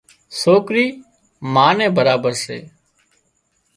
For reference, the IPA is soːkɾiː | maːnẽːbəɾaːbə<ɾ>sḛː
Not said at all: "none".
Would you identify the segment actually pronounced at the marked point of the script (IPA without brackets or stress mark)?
ɾ